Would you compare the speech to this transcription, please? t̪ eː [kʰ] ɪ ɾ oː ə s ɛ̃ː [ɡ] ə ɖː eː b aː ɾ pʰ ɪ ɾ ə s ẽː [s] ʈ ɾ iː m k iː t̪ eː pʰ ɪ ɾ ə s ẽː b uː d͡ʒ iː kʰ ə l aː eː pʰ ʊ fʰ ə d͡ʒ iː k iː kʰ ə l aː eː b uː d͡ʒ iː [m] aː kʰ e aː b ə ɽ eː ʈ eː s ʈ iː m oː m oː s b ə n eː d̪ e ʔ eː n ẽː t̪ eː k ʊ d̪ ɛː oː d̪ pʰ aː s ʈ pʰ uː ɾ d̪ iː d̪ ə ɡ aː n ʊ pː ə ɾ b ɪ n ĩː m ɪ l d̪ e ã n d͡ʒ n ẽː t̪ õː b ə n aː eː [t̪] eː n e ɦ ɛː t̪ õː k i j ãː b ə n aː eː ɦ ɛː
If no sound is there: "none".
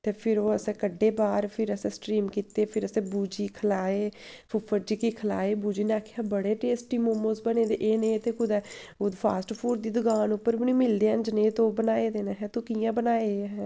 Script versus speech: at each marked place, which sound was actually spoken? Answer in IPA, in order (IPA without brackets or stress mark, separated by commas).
pʰ, k, s, n, d̪